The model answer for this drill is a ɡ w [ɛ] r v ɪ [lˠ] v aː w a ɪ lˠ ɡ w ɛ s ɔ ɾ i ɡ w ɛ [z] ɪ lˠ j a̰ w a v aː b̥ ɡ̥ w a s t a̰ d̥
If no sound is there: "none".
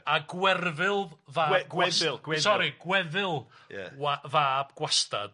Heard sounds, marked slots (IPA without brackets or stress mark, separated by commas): ɛ, lˠ, ð